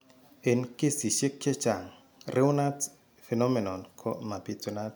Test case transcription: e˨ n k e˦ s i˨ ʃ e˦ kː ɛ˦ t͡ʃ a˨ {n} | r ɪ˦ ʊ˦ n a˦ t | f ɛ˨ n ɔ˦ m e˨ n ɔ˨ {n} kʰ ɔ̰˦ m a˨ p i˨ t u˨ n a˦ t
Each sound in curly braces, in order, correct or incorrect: incorrect: ŋ, correct

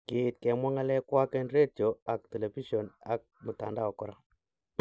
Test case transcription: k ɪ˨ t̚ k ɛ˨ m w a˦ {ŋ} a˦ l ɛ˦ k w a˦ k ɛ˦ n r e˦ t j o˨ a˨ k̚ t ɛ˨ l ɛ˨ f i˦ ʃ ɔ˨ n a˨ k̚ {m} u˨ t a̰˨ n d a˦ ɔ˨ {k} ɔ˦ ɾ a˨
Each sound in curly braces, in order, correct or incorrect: correct, correct, correct

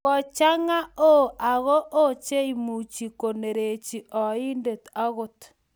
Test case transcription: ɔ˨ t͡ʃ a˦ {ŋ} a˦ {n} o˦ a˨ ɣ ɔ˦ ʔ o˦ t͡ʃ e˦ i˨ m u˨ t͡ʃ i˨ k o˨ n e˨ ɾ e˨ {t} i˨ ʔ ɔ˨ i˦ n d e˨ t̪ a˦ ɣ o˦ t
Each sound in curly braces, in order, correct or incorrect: correct, incorrect: none, incorrect: t͡ʃ

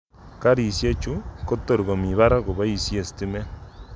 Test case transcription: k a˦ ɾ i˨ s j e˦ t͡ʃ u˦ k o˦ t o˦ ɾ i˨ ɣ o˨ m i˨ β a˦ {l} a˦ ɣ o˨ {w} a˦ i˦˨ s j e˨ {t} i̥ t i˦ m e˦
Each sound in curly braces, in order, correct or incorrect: incorrect: ɾ, incorrect: β, incorrect: s

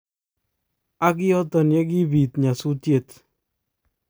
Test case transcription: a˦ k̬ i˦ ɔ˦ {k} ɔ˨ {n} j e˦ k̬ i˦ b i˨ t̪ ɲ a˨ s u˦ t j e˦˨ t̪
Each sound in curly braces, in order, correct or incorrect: incorrect: t, correct

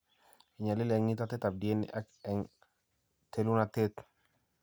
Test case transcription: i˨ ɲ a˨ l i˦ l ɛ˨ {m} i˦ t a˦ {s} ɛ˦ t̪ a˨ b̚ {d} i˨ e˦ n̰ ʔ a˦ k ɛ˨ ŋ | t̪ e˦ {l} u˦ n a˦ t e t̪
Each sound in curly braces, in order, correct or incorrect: incorrect: ŋ, incorrect: t, correct, correct

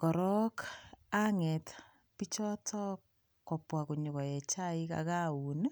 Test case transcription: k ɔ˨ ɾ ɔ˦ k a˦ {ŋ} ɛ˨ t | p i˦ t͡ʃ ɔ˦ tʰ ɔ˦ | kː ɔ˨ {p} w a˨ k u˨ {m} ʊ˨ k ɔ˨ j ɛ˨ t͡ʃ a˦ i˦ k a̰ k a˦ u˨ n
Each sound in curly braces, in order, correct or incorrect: correct, correct, incorrect: ɲ

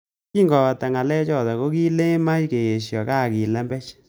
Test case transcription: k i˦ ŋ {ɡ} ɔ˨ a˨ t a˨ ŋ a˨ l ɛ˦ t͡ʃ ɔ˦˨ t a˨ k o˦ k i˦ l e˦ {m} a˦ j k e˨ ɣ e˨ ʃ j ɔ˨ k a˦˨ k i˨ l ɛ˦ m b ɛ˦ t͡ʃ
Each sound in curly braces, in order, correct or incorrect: correct, correct

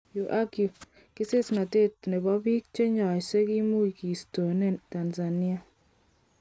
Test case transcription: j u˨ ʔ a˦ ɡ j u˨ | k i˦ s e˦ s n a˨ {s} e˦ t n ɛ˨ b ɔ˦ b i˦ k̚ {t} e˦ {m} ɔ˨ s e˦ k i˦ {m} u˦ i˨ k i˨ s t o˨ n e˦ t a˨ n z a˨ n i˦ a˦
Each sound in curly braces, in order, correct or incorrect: incorrect: t, incorrect: t͡ʃ, incorrect: ɲ, correct

